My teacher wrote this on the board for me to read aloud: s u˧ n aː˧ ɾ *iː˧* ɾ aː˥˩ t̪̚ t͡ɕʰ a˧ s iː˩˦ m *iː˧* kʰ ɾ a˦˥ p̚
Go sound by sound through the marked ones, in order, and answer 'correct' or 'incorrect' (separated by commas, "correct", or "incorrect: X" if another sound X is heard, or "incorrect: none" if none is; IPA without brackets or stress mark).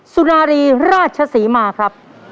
correct, incorrect: aː˧